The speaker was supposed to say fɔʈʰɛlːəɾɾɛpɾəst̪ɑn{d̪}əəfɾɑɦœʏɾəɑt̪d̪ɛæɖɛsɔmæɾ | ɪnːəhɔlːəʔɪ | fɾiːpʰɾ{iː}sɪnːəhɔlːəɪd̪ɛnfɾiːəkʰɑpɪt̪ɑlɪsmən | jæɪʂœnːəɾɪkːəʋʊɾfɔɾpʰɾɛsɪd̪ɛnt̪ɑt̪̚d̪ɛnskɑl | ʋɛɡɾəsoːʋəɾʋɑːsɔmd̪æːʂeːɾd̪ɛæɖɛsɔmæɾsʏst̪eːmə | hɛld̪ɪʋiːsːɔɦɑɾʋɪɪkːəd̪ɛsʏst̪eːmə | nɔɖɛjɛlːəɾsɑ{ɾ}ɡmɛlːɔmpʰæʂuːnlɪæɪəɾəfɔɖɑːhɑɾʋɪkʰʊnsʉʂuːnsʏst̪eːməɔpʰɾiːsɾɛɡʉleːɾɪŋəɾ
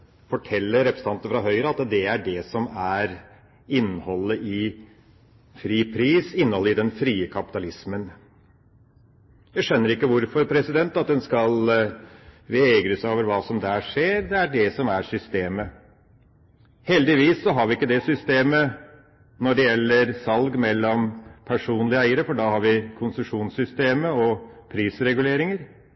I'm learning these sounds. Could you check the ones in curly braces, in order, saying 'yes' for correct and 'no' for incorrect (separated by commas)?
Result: no, yes, no